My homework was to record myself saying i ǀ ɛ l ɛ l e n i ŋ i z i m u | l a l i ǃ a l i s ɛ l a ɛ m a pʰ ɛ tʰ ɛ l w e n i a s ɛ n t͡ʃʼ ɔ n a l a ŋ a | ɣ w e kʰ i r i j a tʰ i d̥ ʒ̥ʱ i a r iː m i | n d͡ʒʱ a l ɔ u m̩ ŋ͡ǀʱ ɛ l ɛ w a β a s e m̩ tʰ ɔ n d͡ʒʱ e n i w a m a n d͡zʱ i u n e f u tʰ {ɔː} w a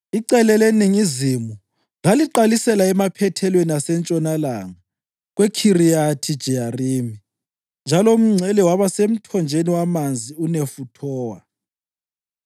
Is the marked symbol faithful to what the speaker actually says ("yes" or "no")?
yes